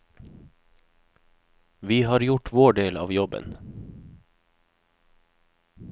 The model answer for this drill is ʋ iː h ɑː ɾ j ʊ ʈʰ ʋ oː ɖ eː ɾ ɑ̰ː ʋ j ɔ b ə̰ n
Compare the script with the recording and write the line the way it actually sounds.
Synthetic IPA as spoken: ʋ iː h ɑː ɾ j ʊ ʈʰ ʋ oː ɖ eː l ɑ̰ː ʋ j ɔ b ə̰ n